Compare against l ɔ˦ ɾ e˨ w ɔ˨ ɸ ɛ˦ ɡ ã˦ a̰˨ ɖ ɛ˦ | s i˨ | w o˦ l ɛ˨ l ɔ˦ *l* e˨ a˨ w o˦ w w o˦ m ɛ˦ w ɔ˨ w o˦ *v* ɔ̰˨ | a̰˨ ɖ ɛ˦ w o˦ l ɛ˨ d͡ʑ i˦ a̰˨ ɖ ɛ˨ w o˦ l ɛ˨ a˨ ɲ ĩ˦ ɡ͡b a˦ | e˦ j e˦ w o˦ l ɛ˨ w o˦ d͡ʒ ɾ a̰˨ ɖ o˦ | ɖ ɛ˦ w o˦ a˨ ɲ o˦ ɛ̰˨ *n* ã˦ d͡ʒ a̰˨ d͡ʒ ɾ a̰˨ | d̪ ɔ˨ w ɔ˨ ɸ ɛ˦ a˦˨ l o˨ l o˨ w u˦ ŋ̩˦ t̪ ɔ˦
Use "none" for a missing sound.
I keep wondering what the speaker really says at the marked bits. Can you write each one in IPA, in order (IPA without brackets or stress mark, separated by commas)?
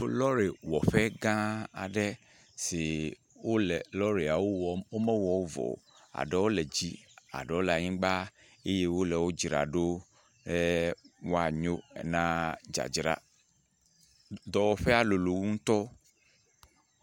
ɾ, v, n